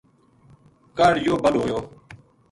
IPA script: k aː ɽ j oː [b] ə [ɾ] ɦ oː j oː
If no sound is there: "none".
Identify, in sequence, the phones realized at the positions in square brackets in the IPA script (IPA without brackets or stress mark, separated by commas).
b, l